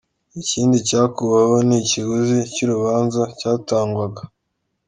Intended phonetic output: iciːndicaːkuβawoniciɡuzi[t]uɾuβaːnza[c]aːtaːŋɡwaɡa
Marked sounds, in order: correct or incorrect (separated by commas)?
incorrect, correct